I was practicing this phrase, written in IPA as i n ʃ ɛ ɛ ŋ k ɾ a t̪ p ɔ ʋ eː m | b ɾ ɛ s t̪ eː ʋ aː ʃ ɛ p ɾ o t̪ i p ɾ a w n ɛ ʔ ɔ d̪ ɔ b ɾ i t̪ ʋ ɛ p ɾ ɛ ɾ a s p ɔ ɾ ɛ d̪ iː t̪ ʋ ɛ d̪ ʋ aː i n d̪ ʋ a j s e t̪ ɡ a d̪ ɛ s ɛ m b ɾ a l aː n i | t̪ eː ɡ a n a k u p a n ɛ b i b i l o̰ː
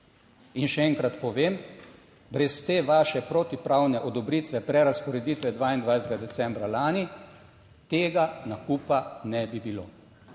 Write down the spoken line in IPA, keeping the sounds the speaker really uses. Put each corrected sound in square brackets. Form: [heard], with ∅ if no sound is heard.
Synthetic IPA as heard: i n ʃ ɛ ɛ ŋ k ɾ a t̪ p ɔ ʋ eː m | b ɾ ɛ s t̪ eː ʋ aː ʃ ɛ p ɾ o t̪ i p ɾ a w n ɛ ʔ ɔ d̪ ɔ b ɾ i t̪ ʋ ɛ p ɾ ɛ ɾ a s p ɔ ɾ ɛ d̪ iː t̪ ʋ ɛ d̪ ʋ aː i n d̪ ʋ a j s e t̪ ɡ a d̪ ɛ s ɛ m b ɾ a l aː n i | t̪ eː ɡ a n a k u p a n ɛ b i b i l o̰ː